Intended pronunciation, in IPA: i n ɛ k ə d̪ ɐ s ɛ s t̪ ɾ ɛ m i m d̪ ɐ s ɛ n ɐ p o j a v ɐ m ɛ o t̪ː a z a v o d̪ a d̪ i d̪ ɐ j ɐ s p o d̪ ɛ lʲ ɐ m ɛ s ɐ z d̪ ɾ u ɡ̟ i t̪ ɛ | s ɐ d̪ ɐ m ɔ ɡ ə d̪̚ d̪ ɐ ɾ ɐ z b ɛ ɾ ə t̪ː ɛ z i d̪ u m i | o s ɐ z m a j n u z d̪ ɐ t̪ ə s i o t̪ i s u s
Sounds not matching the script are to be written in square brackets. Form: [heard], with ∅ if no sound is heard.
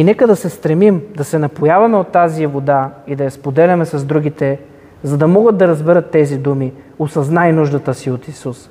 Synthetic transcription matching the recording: i n ɛ k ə d̪ ɐ s ɛ s t̪ ɾ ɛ m i m d̪ ɐ s ɛ n ɐ p o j a v ɐ m ɛ o t̪ː a z [i] v o d̪ a [∅] i d̪ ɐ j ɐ s p o d̪ ɛ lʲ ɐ m ɛ s ɐ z d̪ ɾ u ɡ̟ i t̪ ɛ | [z] ɐ d̪ ɐ m ɔ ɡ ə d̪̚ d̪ ɐ ɾ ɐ z b ɛ ɾ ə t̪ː ɛ z i d̪ u m i | o s ɐ z [n] a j n u [ʒ] d̪ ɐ t̪ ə s i o t̪ i s u s